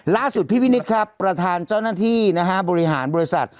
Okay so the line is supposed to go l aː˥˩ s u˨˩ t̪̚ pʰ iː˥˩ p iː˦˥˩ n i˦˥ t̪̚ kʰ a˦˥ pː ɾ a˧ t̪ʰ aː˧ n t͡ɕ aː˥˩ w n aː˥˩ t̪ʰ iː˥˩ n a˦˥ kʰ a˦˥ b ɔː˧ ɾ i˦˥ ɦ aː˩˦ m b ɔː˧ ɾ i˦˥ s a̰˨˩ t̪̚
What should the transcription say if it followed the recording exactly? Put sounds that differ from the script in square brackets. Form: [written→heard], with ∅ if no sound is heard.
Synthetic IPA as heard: l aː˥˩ s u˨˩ t̪̚ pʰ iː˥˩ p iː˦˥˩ n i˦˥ t̪̚ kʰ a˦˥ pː ɾ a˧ t̪ʰ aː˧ n t͡ɕ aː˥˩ w n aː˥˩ t̪ʰ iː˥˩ n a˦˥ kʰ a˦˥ b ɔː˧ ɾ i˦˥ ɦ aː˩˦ [m→n] b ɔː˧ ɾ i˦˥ s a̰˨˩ t̪̚